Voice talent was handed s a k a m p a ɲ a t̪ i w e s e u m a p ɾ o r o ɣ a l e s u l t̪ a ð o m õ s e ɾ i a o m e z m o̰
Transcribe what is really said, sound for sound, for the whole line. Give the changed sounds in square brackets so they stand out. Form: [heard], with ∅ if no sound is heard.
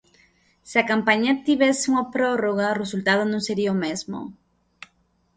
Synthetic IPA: s a k a m p a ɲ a t̪ i [β] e s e u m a p ɾ o r o ɣ a [r] e s u l t̪ a ð o [n] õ s e ɾ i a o m e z m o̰